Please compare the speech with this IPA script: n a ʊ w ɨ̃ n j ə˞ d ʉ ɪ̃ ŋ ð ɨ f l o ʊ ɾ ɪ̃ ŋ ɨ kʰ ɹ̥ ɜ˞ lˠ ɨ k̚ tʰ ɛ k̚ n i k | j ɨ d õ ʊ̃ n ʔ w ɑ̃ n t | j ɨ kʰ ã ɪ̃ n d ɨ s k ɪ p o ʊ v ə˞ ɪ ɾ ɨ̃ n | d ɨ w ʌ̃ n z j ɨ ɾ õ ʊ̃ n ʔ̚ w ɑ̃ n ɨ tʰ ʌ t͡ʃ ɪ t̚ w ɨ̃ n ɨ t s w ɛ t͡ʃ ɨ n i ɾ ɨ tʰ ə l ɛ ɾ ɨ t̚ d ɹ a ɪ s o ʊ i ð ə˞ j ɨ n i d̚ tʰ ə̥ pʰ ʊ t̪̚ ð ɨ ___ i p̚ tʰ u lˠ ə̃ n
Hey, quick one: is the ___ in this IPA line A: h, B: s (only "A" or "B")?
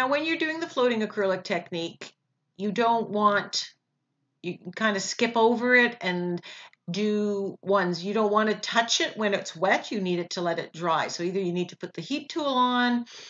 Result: A